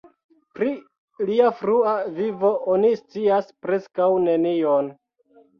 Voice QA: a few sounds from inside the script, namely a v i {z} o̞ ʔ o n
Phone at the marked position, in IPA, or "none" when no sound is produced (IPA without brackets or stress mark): v